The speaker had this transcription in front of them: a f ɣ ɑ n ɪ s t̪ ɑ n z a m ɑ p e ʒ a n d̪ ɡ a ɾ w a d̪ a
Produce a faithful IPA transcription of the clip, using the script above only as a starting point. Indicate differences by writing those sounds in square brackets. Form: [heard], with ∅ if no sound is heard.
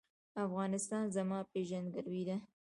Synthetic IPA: a f ɣ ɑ n ɪ s t̪ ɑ n z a m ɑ p e ʒ a n d̪ ɡ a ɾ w [i] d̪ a